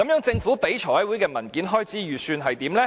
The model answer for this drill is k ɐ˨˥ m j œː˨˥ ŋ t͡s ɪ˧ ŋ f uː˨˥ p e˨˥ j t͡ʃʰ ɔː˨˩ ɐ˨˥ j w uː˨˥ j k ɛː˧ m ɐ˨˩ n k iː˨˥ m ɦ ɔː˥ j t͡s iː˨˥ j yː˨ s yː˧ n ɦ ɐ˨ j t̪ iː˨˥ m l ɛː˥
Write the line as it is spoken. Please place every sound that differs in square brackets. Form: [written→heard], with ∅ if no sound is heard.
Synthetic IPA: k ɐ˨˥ m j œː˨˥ ŋ t͡s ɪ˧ ŋ f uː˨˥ p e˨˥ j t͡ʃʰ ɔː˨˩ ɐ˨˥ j w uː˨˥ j k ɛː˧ m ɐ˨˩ n k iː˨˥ [m→n] ɦ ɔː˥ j t͡s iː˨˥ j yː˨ s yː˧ n ɦ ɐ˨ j t̪ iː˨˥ m l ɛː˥

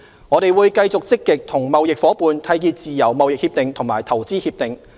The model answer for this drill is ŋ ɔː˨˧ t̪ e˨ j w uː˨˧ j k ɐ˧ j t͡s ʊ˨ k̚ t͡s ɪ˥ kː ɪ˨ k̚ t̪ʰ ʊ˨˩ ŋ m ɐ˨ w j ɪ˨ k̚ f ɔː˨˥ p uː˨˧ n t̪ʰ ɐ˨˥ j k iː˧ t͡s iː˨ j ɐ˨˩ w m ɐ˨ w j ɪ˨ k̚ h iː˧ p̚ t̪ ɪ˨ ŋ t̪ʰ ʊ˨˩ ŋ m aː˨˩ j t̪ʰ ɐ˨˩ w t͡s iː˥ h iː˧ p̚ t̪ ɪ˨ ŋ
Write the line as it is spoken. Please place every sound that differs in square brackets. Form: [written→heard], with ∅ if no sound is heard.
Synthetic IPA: ŋ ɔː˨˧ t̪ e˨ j w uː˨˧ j k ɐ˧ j t͡s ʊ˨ k̚ t͡s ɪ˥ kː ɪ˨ k̚ t̪ʰ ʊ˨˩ ŋ m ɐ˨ w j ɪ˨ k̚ f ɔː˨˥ p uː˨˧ n t̪ʰ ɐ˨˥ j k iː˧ t͡s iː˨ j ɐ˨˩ w m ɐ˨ w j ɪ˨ k̚ h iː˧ p̚ t̪ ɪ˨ ŋ t̪ʰ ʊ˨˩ ŋ m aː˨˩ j t̪ʰ ɐ˨˩ w t͡s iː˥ h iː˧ p̚ t̪ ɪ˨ ŋ

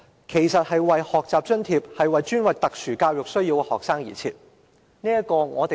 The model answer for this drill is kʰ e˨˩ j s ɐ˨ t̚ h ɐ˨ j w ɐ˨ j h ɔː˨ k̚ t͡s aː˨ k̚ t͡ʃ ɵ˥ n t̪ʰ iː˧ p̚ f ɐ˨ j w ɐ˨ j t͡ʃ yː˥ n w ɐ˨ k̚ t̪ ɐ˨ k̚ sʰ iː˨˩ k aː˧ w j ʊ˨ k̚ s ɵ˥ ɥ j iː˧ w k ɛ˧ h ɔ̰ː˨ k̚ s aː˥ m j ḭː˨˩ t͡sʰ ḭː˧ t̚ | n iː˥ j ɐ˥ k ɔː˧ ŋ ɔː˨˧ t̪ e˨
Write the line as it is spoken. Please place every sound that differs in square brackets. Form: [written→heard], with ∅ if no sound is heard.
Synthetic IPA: kʰ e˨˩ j s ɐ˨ t̚ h ɐ˨ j w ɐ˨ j h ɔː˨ k̚ t͡s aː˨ [k̚→p̚] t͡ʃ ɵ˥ n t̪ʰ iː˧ p̚ [f→h] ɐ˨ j w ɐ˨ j t͡ʃ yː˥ n w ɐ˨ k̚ t̪ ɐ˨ k̚ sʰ [iː˨˩→yː˨˩] k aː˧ w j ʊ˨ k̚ s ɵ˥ ɥ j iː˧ w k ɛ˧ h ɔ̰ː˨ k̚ s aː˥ [m→ŋ] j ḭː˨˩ t͡sʰ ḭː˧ t̚ | n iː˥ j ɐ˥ k ɔː˧ ŋ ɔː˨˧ t̪ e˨

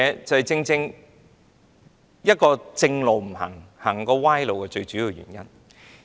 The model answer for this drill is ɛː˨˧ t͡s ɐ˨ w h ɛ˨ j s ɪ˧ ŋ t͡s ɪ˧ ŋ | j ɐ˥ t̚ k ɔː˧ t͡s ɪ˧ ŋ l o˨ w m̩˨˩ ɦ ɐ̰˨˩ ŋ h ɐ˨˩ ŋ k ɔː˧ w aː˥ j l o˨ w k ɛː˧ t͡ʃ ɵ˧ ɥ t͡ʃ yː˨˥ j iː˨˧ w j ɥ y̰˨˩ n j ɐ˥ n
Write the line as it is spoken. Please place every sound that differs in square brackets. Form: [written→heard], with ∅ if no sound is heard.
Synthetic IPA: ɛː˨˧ t͡s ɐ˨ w h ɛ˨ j [s→t͡s] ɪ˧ ŋ t͡s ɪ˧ ŋ | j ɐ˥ t̚ k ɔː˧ t͡s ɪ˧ ŋ l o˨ w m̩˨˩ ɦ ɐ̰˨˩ ŋ h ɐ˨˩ ŋ k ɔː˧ w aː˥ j l o˨ w k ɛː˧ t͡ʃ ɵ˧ ɥ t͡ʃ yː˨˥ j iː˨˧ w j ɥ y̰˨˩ n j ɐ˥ n

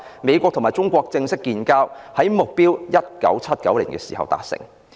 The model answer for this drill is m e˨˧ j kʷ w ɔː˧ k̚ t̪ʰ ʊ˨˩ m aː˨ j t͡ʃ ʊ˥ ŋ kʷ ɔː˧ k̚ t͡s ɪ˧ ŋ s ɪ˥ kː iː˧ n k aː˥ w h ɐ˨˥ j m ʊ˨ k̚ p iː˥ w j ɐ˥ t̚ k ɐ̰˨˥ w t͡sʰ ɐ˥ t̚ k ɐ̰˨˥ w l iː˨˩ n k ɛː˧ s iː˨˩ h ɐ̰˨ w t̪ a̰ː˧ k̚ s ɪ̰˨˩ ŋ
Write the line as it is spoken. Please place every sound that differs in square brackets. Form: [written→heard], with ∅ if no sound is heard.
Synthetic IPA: m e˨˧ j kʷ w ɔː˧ k̚ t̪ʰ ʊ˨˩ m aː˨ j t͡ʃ ʊ˥ ŋ kʷ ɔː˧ k̚ t͡s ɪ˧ ŋ s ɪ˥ kː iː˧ n k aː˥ w h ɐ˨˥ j m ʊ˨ k̚ p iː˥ w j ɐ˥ t̚ k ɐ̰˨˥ w t͡sʰ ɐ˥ t̚ k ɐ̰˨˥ w l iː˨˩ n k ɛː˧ s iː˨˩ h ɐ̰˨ w t̪ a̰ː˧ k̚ s ɪ̰˨˩ ŋ

